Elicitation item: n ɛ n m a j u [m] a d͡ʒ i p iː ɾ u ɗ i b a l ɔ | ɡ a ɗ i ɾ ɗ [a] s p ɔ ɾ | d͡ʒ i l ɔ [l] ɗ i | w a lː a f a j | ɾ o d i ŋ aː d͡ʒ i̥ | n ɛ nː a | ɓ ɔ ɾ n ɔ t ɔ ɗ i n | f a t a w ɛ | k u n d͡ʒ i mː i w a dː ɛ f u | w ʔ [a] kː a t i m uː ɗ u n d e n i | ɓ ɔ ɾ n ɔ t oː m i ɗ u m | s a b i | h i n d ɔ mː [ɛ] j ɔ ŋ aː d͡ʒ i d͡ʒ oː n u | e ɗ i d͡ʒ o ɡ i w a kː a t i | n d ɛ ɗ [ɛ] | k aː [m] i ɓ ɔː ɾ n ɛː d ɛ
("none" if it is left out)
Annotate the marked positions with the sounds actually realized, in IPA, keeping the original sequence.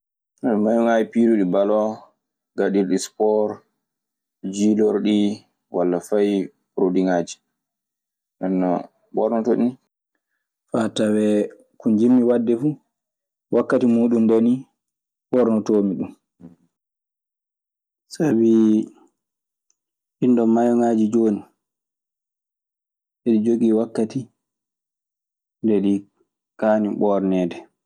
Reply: ŋ, i, ɾ, a, a, i, n

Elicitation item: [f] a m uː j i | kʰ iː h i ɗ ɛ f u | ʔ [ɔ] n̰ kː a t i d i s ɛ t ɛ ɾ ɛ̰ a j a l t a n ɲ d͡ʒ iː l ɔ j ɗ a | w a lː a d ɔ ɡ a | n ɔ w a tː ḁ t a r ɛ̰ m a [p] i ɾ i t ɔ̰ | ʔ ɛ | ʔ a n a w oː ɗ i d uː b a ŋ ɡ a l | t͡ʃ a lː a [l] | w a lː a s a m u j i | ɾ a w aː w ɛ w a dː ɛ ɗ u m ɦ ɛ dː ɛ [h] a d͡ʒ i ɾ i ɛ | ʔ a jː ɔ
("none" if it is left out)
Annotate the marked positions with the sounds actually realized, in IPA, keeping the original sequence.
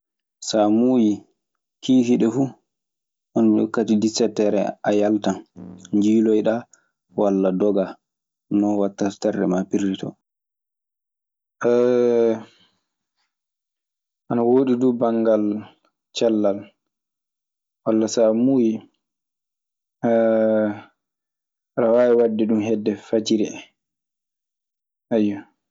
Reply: s, ɔ, p, l, f

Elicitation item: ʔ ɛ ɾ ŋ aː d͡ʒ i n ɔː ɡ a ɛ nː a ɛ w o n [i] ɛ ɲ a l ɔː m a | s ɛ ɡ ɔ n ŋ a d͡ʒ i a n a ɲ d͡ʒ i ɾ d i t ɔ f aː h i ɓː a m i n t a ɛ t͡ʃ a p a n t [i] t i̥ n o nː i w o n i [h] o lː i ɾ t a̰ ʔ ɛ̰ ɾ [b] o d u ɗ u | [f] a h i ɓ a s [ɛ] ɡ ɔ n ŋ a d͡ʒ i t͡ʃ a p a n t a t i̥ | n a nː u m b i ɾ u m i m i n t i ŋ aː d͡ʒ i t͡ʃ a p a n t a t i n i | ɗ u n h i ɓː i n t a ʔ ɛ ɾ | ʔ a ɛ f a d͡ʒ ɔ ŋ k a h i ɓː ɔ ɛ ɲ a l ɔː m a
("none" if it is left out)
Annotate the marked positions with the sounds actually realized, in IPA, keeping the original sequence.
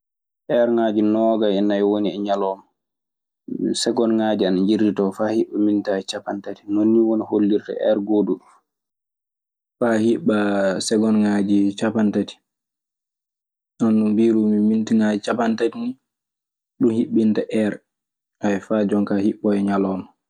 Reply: i, a, h, ɡ, f, ɛ

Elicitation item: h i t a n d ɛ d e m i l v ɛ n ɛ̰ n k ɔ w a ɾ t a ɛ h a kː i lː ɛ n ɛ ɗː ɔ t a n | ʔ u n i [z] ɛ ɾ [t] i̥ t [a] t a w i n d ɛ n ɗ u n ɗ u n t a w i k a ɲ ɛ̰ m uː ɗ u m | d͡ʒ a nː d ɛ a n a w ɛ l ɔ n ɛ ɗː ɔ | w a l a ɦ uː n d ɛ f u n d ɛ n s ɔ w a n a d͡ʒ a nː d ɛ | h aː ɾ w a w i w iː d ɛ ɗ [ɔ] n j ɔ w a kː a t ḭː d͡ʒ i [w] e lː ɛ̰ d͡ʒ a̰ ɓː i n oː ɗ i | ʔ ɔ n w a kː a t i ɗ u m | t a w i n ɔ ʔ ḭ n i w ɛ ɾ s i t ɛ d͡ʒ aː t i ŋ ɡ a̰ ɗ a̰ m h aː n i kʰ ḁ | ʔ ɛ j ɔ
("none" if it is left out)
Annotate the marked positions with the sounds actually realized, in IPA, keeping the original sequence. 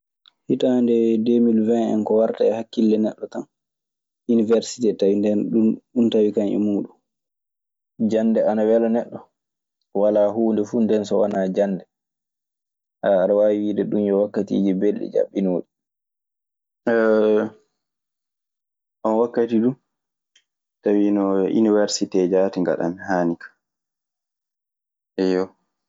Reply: v, s, ɛ, u, b

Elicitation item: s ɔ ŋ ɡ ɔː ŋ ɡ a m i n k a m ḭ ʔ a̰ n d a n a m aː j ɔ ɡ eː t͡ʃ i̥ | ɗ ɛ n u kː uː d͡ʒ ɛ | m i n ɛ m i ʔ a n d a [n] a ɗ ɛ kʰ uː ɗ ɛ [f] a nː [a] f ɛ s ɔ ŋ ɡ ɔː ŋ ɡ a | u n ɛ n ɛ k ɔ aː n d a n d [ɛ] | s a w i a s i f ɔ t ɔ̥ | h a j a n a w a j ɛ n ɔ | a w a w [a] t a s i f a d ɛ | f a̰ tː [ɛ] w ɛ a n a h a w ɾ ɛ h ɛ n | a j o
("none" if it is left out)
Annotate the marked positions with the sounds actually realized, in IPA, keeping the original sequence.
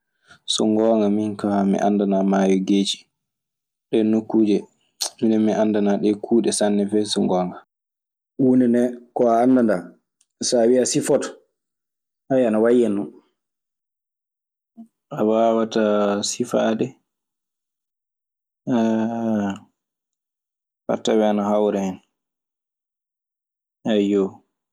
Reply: n, s, ɛ, a, a, a

